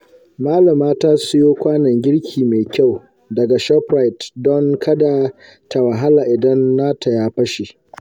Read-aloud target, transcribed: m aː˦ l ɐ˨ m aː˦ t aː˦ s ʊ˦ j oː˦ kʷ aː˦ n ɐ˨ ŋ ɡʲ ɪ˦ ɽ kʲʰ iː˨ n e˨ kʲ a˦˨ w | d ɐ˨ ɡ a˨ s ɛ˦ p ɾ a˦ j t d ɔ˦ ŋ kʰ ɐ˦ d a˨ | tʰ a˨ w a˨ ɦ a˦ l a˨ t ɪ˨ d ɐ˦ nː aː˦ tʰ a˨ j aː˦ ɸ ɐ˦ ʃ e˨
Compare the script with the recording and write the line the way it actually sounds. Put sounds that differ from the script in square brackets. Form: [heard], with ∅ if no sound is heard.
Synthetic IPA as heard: m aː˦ l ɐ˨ m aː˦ t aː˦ s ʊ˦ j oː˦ kʷ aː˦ n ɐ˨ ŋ ɡʲ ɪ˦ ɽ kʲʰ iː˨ [m] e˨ kʲ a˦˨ w | d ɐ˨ ɡ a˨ [ʃ] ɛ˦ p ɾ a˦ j t d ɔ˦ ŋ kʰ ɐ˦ d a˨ | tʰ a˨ w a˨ ɦ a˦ l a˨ [ʔ] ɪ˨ d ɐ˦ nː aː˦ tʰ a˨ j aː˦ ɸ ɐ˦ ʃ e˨